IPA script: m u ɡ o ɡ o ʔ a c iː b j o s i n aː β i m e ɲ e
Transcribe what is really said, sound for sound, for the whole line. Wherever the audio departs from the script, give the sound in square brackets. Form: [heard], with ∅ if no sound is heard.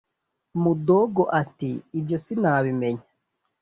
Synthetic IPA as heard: m u [d] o ɡ o ʔ a [t] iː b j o s i n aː β i m e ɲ [a]